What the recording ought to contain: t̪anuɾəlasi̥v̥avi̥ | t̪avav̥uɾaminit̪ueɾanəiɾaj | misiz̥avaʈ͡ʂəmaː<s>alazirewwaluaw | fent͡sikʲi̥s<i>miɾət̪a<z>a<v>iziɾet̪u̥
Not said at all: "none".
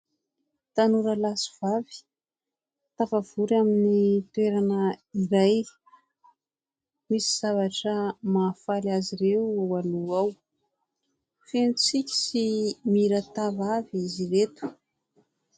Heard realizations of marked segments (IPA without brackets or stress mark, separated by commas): f, i, v, v